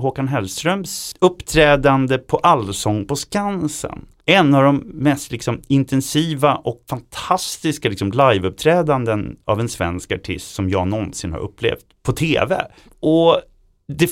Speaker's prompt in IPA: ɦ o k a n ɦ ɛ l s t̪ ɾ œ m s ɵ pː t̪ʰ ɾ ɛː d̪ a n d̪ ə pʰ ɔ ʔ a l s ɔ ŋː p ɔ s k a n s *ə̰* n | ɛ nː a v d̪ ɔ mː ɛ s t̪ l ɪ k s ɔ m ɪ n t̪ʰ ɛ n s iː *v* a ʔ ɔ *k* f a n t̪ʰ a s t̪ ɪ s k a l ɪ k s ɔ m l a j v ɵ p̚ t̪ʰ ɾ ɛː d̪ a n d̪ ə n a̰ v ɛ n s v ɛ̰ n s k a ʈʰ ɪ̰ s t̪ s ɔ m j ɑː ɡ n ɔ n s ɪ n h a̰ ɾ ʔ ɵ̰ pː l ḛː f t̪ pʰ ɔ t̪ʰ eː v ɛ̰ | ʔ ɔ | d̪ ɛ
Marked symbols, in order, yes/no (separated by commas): yes, yes, yes